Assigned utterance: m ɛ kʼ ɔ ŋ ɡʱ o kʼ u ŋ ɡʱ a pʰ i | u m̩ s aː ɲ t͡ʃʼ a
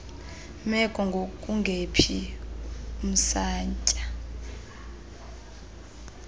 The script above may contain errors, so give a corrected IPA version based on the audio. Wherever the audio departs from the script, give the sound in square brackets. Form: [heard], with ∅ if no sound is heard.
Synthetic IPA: m ɛ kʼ ɔ ŋ ɡʱ o kʼ u ŋ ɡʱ [e] pʰ i | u m̩ s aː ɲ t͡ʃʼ a